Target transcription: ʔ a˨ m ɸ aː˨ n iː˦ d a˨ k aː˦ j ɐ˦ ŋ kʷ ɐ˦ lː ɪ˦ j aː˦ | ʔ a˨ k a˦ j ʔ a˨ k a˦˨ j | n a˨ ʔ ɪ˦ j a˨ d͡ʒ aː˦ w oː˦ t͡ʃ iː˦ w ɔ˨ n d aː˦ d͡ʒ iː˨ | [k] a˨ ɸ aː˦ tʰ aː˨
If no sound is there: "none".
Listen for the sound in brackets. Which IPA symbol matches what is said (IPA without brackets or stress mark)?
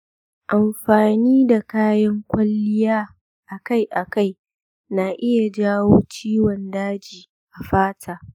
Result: ʔ